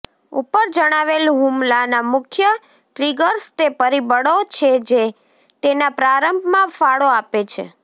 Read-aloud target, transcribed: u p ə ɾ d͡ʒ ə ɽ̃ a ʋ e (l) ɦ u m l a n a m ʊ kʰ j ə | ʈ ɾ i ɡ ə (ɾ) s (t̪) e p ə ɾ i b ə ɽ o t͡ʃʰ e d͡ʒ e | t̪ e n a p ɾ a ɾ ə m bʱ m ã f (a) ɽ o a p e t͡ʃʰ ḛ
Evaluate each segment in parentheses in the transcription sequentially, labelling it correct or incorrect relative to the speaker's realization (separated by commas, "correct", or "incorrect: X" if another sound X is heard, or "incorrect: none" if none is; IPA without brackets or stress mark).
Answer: correct, correct, correct, correct